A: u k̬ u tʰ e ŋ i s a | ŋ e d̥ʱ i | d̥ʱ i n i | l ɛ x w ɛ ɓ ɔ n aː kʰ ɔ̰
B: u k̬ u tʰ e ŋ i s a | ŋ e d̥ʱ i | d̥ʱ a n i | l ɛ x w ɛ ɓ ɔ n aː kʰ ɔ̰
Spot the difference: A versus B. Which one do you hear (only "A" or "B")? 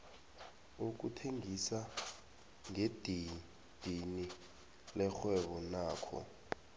A